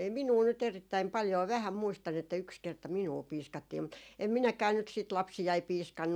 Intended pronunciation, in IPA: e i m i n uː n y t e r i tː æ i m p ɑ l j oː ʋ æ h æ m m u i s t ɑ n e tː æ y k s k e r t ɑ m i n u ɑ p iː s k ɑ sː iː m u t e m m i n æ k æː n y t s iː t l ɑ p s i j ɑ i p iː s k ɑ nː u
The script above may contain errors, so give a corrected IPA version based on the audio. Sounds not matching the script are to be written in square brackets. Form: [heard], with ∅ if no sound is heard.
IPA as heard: e i m i n uː n y t e r i tː æ i m p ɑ l j oː ʋ æ h æ m m u i s t ɑ n e tː æ y k s k e r t ɑ m i n u ɑ p iː s k ɑ [tː] iː m u t e m m i n æ k æː n y t s iː t l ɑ p s i j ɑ i p iː s k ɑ nː u